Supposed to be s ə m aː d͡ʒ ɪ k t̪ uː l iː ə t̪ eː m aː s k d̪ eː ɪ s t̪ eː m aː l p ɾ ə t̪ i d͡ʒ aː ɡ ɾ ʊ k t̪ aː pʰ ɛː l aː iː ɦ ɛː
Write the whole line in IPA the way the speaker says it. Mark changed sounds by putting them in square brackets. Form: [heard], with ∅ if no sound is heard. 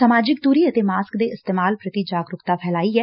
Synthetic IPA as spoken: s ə m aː d͡ʒ ɪ k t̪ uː [ɾ] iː ə t̪ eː m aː s k d̪ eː ɪ s t̪ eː m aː l p ɾ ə t̪ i d͡ʒ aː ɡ ɾ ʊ k t̪ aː pʰ ɛː l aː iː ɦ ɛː